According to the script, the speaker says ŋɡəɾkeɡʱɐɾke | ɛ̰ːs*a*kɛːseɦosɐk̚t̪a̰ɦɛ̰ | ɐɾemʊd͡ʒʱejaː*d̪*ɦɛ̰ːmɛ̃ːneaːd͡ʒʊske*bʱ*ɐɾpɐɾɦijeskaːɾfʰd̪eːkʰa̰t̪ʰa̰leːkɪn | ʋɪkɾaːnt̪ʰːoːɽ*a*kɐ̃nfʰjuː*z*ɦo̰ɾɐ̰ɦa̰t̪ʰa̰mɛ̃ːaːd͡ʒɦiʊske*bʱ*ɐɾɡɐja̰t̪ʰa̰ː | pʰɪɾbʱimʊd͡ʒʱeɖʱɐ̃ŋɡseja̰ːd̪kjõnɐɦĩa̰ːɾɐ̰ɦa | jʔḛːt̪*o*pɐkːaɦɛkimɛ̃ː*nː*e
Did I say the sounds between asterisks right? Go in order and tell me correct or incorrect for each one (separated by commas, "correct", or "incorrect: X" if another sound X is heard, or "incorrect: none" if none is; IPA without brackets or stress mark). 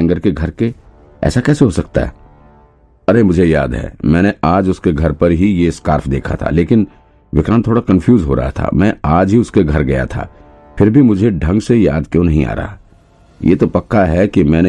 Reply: correct, correct, incorrect: ɡʱ, correct, correct, incorrect: ɡʱ, correct, incorrect: n